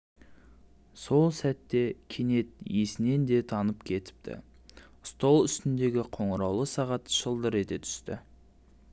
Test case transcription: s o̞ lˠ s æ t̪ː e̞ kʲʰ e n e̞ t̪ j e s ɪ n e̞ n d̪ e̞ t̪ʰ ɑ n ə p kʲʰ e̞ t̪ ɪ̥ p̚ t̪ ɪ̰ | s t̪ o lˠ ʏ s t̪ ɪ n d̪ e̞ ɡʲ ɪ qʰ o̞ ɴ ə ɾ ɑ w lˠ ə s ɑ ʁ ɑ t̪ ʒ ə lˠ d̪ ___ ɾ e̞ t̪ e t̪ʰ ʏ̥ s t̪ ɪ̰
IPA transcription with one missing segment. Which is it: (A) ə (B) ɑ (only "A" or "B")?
A